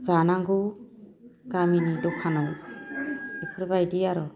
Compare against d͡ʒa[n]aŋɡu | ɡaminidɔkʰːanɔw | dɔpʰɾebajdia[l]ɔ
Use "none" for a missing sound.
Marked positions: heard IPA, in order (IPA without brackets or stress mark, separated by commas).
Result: n, ɾ